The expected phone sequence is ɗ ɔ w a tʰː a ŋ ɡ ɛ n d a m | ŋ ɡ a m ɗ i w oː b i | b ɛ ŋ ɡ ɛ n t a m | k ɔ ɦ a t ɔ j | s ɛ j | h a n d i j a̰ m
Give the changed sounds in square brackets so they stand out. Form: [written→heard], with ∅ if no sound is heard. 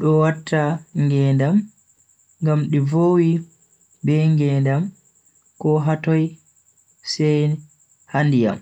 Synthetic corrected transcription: ɗ ɔ w a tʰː a ŋ ɡ ɛ n d a m | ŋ ɡ a m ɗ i [w→v] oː [b→w] i | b ɛ ŋ ɡ ɛ n [t→d] a m | k ɔ ɦ a t ɔ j | s ɛ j | h a n d i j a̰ m